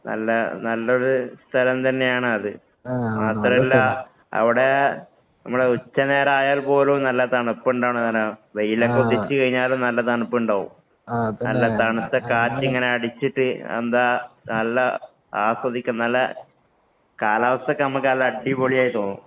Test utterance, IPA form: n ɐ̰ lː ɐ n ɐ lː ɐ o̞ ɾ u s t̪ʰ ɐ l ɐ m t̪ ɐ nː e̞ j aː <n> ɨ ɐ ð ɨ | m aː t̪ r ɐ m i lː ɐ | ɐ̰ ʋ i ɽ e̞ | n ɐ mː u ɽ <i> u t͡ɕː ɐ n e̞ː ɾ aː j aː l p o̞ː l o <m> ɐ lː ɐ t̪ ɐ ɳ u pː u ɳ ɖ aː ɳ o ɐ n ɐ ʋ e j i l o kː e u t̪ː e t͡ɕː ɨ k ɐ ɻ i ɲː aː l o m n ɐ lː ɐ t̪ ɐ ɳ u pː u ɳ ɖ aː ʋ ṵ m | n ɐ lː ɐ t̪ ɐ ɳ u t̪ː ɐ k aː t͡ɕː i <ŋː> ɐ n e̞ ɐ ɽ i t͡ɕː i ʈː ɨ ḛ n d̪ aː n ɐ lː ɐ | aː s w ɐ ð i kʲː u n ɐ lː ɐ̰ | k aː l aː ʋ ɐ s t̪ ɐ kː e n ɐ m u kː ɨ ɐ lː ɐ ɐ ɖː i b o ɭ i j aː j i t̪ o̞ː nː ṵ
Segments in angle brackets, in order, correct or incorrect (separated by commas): incorrect, incorrect, incorrect, correct